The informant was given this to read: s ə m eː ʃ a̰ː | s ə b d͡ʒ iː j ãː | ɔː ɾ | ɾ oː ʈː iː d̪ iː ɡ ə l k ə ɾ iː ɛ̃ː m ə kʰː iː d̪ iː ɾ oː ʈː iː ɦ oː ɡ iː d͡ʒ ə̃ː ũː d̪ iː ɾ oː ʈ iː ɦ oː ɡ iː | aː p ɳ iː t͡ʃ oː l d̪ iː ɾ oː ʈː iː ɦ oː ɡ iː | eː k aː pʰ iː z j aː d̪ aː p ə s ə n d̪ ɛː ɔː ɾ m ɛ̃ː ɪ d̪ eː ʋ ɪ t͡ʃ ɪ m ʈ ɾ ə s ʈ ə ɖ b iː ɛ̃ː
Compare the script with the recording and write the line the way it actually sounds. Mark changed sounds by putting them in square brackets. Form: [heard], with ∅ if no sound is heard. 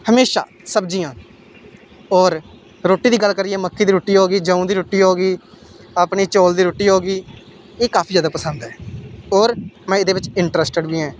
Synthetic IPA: [h] ə m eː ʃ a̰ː | s ə b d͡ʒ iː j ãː | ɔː ɾ | ɾ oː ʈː iː d̪ iː ɡ ə l k ə ɾ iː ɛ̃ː m ə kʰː iː d̪ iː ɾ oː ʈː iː ɦ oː ɡ iː d͡ʒ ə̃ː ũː d̪ iː ɾ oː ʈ iː ɦ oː ɡ iː | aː p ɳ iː t͡ʃ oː l d̪ iː ɾ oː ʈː iː ɦ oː ɡ iː | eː k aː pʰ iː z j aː d̪ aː p ə s ə n d̪ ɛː ɔː ɾ m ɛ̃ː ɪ d̪ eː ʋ ɪ t͡ʃ ɪ [ɳ] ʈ ɾ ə s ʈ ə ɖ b iː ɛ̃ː